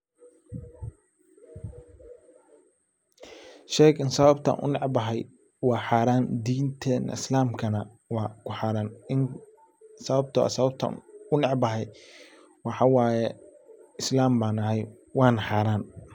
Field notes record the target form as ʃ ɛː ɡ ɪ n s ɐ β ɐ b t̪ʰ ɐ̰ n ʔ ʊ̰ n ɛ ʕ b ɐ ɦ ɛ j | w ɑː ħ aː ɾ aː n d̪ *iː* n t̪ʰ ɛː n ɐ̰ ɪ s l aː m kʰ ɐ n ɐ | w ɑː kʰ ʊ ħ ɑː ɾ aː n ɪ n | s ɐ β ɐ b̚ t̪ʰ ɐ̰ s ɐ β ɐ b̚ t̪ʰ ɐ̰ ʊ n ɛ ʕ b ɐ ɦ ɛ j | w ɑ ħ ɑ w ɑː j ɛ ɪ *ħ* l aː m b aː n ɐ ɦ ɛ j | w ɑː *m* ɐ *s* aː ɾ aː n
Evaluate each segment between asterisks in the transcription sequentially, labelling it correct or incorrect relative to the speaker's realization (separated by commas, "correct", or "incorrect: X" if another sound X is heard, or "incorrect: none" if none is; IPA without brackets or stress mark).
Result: correct, incorrect: s, incorrect: n, incorrect: ħ